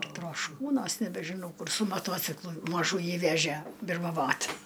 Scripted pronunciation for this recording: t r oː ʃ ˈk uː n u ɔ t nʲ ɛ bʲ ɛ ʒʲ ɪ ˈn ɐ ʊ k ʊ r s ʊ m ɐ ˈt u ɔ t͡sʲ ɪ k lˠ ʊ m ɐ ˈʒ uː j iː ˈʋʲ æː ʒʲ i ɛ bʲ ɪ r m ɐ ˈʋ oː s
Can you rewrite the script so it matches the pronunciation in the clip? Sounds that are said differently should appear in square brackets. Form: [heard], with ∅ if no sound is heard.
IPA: t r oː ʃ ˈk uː n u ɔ [s] nʲ ɛ bʲ ɛ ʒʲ ɪ ˈn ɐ ʊ k ʊ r s ʊ m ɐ ˈt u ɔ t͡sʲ ɪ k lˠ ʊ m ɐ ˈʒ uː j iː ˈʋʲ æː ʒʲ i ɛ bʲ ɪ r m ɐ ˈʋ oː [t]

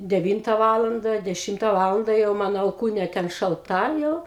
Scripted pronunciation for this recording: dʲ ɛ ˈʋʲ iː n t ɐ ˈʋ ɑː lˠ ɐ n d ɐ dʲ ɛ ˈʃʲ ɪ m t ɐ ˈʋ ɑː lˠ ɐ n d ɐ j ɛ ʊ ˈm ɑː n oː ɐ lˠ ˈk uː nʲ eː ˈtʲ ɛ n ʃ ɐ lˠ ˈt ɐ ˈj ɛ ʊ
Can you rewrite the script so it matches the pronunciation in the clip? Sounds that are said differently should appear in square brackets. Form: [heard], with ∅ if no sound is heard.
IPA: dʲ ɛ ˈʋʲ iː n t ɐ ˈʋ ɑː lˠ ɐ n d ɐ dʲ ɛ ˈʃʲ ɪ m t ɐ ˈʋ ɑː lˠ ɐ n d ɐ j ɛ ʊ ˈm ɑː n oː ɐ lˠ ˈk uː nʲ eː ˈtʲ ɛ n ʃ ɐ lˠ ˈt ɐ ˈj ɛ ʊ

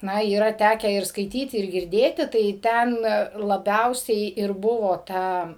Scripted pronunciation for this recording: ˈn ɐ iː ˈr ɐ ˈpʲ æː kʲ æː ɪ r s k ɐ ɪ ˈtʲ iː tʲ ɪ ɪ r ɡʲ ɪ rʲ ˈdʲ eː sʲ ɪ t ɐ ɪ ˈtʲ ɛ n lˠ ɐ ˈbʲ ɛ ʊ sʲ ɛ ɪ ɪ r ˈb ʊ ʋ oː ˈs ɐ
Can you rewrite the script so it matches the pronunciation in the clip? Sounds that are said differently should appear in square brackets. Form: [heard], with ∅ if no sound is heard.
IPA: ˈn ɐ iː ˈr ɐ [ˈtʲ] æː kʲ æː ɪ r s k ɐ ɪ ˈtʲ iː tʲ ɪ ɪ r ɡʲ ɪ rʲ ˈdʲ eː [tʲ] ɪ t ɐ ɪ ˈtʲ ɛ n lˠ ɐ ˈbʲ ɛ ʊ sʲ ɛ ɪ ɪ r ˈb ʊ ʋ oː [ˈt] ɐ

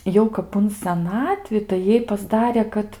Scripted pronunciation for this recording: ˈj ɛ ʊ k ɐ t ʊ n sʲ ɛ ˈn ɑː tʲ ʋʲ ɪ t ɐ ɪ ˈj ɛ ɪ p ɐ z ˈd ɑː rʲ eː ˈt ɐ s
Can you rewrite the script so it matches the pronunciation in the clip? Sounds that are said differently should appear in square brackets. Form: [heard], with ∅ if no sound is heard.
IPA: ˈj ɛ ʊ k ɐ [p] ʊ n sʲ ɛ ˈn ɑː tʲ ʋʲ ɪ t ɐ ɪ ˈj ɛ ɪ p ɐ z ˈd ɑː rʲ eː [ˈk] ɐ [t]

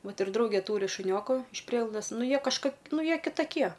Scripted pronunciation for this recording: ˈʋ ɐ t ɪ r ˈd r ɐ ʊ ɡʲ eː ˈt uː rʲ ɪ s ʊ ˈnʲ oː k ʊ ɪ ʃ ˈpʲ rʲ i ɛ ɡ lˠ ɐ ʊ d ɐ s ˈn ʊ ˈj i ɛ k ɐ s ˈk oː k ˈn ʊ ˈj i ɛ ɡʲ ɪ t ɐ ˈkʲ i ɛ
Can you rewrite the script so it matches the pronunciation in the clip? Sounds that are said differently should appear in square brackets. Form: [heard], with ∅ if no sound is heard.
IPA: ˈʋ ɐ t ɪ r ˈd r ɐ ʊ ɡʲ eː ˈt uː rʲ ɪ [ʃ] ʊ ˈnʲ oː k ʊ ɪ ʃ ˈpʲ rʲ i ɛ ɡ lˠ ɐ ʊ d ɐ s ˈn ʊ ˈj i ɛ k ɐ [ʃ] ˈk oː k ˈn ʊ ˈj i ɛ [kʲ] ɪ t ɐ ˈkʲ i ɛ

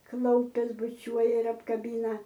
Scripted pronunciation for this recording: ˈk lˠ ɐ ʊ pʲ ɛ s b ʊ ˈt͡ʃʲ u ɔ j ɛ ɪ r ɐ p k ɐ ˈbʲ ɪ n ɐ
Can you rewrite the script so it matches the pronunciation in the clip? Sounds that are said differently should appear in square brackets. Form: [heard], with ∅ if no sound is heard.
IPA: ˈk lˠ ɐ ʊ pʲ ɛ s b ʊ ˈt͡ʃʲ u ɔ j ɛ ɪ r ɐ p k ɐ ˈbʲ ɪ n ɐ

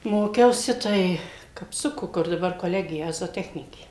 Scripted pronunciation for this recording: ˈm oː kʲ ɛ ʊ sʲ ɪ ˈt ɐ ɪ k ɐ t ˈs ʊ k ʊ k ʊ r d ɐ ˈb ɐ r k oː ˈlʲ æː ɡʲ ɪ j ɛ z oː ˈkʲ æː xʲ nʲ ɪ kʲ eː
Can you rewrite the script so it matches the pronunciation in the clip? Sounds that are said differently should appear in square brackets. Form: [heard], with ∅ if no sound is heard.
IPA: ˈm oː kʲ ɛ ʊ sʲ ɪ ˈt ɐ ɪ k ɐ [p] ˈs ʊ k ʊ k ʊ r d ɐ ˈb ɐ r k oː ˈlʲ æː ɡʲ ɪ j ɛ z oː [ˈtʲ] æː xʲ nʲ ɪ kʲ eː

